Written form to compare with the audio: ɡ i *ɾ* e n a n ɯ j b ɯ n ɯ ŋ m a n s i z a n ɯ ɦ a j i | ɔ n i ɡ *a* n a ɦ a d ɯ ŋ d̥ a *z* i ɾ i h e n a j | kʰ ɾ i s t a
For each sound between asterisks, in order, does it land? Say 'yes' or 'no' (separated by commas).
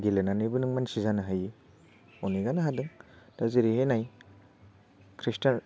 no, yes, yes